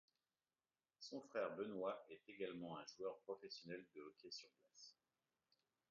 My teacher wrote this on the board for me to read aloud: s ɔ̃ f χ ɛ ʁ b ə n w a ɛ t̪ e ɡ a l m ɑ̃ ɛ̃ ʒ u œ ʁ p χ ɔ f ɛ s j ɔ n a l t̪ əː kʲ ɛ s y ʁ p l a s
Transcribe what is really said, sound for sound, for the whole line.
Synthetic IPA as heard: s ɔ̃ f χ ɛ ʁ b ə n w a ɛ t̪ e ɡ a l m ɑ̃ ɛ̃ ʒ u œ ʁ p χ ɔ f ɛ s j ɔ n ɛ l d̪ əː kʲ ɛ s y ʁ p l a s